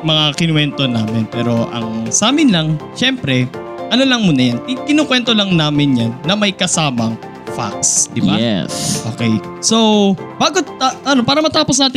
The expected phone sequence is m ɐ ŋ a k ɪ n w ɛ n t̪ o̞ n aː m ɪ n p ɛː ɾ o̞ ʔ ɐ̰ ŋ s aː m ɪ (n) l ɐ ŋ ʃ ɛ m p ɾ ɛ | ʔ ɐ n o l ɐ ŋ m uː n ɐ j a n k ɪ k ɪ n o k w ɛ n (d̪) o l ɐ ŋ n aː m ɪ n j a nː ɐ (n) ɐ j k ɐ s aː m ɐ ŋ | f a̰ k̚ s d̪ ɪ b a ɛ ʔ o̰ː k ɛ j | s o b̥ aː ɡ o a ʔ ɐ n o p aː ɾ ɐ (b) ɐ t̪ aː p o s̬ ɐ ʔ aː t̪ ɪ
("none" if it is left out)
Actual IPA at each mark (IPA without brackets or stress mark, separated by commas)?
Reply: n, t̪, m, m